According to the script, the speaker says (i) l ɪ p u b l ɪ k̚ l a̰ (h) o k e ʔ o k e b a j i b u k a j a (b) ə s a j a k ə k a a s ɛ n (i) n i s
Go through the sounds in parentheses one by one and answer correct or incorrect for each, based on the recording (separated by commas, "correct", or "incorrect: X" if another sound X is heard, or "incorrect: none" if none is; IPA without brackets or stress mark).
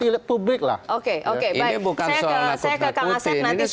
correct, correct, incorrect: none, incorrect: a